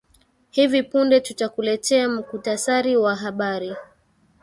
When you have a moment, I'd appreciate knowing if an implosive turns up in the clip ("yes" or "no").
yes